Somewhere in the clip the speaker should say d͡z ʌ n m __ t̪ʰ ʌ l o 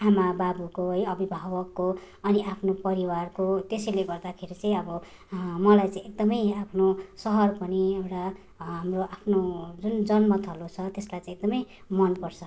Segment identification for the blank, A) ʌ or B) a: A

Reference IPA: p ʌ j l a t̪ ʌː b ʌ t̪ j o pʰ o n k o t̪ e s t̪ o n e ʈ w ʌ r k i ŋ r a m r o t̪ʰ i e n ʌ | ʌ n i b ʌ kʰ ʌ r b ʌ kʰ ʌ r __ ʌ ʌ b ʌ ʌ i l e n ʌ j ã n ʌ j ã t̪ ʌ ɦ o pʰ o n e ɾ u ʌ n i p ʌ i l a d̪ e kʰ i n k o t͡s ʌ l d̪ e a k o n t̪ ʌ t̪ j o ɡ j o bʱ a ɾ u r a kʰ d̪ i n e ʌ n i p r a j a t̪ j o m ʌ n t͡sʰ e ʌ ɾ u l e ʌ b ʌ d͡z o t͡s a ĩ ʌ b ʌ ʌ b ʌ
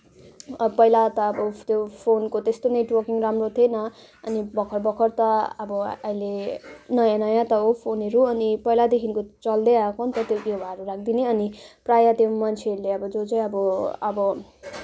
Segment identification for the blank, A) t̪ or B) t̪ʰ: A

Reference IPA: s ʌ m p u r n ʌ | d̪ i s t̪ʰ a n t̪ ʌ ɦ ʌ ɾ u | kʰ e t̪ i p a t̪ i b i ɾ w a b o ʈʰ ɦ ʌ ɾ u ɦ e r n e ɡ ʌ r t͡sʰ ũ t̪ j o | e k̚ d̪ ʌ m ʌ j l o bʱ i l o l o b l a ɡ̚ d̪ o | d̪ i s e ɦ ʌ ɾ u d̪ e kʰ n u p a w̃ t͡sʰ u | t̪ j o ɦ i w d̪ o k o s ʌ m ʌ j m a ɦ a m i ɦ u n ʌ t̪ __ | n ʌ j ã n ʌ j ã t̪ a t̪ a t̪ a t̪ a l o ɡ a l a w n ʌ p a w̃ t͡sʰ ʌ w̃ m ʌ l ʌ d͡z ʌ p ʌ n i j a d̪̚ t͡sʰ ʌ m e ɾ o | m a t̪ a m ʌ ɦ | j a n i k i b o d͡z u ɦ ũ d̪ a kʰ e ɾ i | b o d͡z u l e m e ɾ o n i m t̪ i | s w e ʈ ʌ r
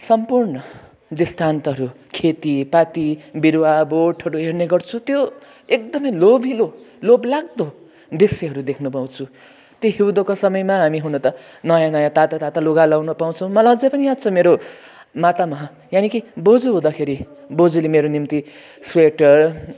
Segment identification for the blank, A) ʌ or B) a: A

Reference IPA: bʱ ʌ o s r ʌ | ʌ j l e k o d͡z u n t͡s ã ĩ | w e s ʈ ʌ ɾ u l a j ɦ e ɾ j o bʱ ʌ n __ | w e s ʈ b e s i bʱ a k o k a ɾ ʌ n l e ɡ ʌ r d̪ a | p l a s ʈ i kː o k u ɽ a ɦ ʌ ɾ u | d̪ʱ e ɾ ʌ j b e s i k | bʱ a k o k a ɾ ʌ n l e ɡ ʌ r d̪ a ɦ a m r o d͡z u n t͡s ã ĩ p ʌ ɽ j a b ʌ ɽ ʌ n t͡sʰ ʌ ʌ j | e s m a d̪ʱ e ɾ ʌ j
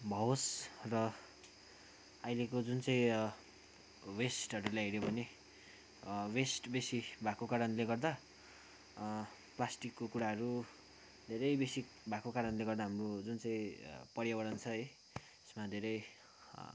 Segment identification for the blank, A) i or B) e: B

